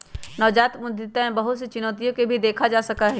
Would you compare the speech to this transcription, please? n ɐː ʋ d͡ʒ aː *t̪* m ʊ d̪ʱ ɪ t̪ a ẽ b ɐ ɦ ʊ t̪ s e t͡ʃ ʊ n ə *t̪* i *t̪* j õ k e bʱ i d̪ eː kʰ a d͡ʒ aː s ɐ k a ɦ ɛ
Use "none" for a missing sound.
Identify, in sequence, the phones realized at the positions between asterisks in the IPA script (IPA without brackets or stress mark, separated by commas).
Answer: t̪, t̪, none